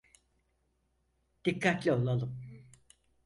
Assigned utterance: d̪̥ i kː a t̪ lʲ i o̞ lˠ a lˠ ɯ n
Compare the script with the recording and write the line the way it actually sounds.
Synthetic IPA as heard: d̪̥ i kː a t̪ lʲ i o̞ lˠ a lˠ ɯ m